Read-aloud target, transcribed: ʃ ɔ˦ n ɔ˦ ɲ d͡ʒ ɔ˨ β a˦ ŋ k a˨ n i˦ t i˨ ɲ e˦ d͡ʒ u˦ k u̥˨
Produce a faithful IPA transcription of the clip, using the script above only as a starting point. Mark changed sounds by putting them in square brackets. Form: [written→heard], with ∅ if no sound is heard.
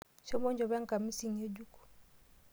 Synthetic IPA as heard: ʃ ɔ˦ [n→m] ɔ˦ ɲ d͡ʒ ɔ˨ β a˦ ŋ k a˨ [n→m] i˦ [t→s] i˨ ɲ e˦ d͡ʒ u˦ k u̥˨